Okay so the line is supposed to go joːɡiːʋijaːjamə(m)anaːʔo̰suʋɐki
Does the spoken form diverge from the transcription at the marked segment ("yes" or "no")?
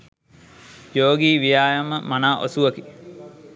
no